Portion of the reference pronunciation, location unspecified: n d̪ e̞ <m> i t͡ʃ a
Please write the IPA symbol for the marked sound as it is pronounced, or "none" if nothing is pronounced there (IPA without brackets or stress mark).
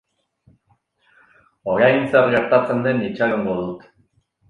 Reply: n